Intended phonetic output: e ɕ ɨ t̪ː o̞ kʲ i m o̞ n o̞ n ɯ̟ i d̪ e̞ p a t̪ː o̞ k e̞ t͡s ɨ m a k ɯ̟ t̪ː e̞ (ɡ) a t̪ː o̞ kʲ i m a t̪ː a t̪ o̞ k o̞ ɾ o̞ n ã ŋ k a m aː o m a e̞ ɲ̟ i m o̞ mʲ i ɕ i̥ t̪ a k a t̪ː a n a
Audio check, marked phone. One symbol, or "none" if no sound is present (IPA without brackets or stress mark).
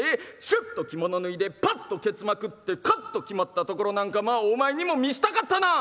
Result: k